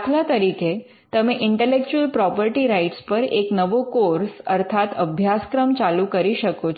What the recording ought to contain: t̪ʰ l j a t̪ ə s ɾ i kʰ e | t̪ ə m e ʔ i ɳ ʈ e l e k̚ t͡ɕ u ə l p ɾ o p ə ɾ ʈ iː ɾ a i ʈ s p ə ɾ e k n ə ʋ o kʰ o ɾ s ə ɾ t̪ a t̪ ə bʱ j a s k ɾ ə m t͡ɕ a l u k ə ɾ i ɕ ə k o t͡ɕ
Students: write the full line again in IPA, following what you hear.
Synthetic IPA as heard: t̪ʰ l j a t̪ ə ɾ i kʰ e | t̪ ə m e ʔ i ɳ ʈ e l e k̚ t͡ɕ u ə l p ɾ ɔ p ə ɾ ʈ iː ɾ a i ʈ s p ə ɾ e k n ə ʋ o k o ɾ s ə ɾ t̪ʰ a t̪ ə bʱ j a s k ɾ ə m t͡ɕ a l u k ə ɾ i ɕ ə k o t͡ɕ